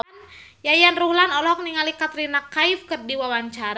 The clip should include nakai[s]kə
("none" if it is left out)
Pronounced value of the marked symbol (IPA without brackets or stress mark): f